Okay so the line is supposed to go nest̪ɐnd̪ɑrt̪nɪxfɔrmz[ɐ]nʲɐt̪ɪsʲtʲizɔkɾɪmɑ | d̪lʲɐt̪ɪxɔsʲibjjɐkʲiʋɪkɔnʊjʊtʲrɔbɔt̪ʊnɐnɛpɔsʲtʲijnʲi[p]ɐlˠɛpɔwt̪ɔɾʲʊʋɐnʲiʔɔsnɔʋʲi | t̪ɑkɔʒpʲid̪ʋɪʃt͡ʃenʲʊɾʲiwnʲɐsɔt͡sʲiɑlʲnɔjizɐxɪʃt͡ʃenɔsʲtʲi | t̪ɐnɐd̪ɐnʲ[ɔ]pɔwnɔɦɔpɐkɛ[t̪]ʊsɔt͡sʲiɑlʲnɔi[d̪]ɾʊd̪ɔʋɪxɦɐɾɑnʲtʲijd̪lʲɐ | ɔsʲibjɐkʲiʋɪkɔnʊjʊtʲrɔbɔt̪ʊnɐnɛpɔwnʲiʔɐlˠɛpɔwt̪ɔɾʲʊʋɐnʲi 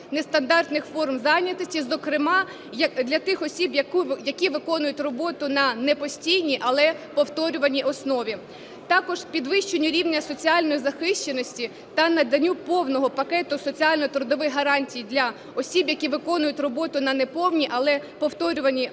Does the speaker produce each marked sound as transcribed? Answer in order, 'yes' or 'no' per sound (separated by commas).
no, no, no, yes, no